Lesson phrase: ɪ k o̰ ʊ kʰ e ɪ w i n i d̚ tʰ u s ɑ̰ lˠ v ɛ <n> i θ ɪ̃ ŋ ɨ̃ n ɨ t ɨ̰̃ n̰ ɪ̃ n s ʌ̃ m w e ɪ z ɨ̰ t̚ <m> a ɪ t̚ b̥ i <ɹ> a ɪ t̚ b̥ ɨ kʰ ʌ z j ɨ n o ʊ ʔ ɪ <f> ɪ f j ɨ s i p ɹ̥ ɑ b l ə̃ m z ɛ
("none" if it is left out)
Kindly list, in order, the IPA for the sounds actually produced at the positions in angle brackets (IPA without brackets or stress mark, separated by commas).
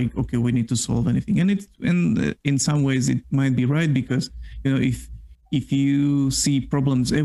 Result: n, m, ɹ, f